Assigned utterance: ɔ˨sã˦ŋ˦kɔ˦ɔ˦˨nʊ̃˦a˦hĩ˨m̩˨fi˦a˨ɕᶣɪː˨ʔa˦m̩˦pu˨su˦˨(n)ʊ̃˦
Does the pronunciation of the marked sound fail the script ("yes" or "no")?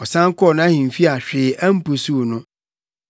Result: no